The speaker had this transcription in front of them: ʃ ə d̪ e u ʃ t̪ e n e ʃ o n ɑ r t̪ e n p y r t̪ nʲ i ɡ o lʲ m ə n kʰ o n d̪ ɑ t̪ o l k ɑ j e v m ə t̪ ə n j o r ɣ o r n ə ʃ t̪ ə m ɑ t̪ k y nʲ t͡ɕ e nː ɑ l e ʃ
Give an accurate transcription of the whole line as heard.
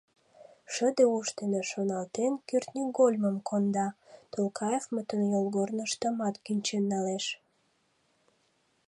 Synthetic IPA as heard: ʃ ə d̪ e u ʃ t̪ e n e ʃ o n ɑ l t̪ e n k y r t̪ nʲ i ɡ o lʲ m ə m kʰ o n d̪ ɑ t̪ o l k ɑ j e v m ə t̪ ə n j o l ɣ o r n ə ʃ t̪ ə m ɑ t̪ k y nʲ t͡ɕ e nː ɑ l e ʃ